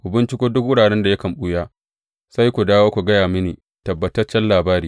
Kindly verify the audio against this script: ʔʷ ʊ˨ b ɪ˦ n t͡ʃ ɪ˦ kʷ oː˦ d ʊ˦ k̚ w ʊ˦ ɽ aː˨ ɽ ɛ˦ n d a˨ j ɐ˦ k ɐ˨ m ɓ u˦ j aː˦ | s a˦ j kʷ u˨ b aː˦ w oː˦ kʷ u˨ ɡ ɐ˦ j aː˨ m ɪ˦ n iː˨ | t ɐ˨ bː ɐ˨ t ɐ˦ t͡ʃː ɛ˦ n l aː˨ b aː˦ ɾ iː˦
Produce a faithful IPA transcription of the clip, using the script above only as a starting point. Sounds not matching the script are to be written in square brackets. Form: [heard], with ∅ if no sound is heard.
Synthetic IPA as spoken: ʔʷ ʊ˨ b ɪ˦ n t͡ʃ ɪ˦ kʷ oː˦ d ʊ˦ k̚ w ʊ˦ ɽ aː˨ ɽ ɛ˦ n d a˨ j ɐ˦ k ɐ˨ m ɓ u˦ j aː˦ | s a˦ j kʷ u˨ [d] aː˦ w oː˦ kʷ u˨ ɡ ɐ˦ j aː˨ m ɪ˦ n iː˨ | t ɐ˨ bː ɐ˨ t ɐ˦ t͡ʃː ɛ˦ n l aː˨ b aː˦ ɾ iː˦

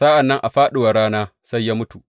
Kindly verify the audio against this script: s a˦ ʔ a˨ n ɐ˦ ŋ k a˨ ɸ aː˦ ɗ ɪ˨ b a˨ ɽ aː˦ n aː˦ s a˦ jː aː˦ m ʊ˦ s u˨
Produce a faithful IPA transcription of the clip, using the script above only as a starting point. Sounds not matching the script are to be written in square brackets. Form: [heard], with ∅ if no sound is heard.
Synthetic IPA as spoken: s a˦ ʔ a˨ [nː] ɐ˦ ŋ [ʔ] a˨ ɸ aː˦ ɗ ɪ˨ [w] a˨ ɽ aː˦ n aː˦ s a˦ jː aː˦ m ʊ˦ [t] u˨

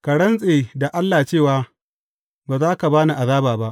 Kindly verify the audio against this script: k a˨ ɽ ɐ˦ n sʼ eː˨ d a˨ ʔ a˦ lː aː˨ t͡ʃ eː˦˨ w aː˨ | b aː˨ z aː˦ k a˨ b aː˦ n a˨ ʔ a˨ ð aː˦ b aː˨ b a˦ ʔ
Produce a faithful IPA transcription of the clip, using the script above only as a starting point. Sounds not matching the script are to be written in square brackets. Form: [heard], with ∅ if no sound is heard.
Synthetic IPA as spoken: k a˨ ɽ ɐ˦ n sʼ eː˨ d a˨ ʔ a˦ lː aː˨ t͡ʃ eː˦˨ w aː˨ | b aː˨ z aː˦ k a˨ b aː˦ n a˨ ʔ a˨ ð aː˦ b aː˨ b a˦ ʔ

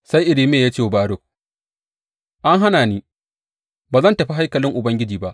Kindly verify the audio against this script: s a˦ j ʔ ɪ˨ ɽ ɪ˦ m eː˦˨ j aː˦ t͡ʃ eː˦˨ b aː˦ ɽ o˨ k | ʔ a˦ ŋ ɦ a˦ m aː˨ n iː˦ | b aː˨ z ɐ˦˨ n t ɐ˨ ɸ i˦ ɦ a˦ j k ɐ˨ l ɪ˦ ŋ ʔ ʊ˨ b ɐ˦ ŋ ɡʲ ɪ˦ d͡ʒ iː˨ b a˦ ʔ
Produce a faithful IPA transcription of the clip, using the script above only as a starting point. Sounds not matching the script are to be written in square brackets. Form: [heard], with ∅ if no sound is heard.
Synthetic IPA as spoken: s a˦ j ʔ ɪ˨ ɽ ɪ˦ m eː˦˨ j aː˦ t͡ʃ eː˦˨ b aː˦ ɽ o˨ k | ʔ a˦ ŋ ɦ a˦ [n] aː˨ n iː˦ | b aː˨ z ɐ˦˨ n t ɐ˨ ɸ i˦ ɦ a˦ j k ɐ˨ l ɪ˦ ŋ ʔ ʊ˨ b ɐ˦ ŋ ɡʲ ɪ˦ d͡ʒ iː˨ b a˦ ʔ

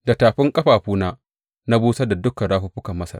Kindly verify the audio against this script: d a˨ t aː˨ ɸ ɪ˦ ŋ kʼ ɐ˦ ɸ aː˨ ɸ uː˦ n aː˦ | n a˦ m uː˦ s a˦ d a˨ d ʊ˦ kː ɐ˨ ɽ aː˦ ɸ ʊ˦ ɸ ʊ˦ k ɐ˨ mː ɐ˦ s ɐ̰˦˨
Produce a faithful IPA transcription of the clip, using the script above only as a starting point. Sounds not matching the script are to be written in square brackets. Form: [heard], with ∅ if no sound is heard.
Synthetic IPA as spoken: d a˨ t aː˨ ɸ ɪ˦ ŋ kʼ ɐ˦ ɸ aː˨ ɸ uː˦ n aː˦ | n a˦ [b] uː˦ s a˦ d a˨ d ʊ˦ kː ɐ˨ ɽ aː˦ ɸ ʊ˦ ɸ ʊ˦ k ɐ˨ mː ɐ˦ s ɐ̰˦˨

